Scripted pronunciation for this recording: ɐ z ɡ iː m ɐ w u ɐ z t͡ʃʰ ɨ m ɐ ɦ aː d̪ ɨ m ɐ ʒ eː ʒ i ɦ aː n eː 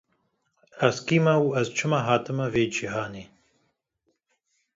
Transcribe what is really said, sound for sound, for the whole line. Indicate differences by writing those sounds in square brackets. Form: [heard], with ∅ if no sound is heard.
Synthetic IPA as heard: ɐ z [k] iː m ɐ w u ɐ z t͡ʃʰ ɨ m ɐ ɦ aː [t̪] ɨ m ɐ [v] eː [d͡ʒ] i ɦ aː n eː